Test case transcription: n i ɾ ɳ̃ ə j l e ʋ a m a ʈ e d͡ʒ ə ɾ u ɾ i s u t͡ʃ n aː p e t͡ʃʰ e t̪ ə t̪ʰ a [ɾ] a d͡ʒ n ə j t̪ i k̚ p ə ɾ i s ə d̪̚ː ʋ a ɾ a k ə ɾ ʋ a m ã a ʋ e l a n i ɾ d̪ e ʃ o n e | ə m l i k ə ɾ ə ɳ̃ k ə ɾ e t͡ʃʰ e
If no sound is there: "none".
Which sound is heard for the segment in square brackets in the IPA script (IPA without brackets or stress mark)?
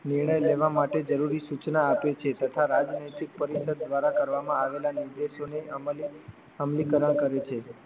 ɾ